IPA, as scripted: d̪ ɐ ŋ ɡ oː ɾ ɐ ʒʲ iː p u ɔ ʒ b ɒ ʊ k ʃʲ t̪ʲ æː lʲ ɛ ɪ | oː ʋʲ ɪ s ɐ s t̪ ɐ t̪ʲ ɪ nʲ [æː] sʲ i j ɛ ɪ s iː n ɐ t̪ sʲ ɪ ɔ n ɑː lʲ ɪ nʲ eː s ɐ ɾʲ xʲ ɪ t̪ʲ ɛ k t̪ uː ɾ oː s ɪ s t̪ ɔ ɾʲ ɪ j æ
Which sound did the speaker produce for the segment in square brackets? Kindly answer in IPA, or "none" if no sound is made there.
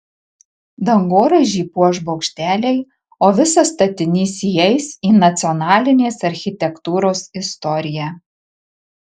iː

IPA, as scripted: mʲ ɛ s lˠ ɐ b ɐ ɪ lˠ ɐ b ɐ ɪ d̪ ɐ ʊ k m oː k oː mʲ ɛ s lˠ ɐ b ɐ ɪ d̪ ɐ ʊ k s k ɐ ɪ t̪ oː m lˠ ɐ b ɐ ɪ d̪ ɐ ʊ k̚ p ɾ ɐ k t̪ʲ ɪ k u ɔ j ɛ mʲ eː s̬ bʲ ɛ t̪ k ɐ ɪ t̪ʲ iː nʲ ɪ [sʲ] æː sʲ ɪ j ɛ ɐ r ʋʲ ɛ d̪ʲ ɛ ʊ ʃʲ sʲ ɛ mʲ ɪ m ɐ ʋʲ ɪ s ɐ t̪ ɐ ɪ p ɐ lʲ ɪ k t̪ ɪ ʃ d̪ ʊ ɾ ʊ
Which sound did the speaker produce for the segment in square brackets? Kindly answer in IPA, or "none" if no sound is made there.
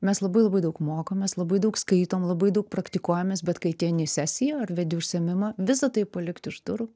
sʲ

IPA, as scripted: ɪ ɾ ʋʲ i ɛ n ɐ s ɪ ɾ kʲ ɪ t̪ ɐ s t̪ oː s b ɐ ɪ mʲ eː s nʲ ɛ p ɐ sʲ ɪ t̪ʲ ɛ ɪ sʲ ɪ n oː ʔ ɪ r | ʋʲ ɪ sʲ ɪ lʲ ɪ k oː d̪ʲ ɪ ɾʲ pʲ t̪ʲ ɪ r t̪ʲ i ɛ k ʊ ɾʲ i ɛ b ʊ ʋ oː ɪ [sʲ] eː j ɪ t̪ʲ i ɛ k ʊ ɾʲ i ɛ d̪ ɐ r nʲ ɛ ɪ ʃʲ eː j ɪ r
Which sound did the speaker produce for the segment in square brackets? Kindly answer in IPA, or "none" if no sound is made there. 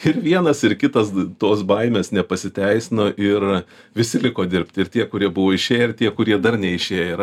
ʃʲ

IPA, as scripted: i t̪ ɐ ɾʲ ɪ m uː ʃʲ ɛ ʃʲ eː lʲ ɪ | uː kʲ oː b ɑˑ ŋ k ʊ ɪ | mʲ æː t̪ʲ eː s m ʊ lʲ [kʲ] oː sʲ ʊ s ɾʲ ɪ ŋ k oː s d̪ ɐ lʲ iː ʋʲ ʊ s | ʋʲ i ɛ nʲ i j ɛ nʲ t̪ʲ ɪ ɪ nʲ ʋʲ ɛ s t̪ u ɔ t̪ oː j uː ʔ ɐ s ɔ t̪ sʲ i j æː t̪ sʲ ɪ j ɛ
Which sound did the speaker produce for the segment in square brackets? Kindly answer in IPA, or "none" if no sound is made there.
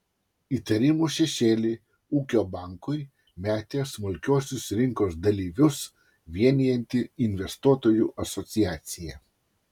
kʲ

